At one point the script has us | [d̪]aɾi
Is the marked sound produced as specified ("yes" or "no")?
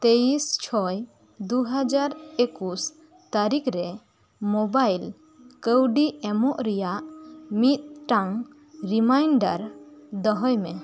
no